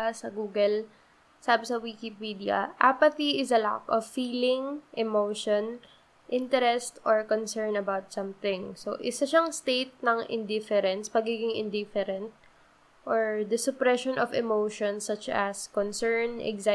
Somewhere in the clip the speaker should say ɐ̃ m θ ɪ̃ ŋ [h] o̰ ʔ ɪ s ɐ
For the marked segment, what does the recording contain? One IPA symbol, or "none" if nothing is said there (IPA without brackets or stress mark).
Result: s